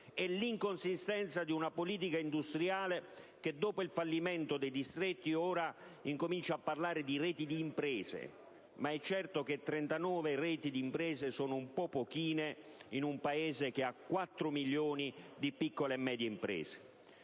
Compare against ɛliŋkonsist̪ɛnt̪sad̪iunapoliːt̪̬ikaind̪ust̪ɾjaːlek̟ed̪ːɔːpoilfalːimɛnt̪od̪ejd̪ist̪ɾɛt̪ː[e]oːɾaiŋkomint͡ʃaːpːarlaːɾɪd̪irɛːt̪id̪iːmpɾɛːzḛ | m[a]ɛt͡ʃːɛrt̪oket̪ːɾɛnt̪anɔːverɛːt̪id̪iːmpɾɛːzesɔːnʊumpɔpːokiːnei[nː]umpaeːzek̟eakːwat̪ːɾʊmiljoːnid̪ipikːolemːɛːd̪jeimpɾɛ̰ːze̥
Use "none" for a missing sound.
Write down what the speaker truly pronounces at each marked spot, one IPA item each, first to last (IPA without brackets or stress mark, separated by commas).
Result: i, a, n